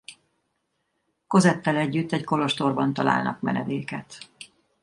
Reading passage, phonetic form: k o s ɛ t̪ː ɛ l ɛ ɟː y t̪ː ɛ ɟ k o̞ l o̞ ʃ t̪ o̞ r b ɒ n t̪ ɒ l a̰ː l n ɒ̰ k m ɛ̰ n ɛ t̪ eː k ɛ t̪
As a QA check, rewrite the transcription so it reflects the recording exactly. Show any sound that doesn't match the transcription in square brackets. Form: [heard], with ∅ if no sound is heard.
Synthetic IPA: k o [z] ɛ t̪ː ɛ l ɛ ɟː y t̪ː ɛ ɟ k o̞ l o̞ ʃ t̪ o̞ r b ɒ n t̪ ɒ l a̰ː l n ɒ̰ k m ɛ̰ n ɛ [d̪] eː k ɛ t̪